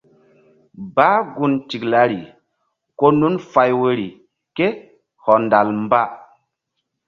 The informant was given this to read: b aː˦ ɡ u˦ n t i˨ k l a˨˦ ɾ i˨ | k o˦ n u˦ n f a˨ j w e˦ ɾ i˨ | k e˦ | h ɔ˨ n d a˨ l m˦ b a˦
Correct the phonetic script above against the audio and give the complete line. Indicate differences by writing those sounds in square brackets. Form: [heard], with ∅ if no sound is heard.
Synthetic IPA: b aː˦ ɡ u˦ n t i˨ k l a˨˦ ɾ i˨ | k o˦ n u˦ n f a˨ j w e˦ ɾ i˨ | k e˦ | h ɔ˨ n d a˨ l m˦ b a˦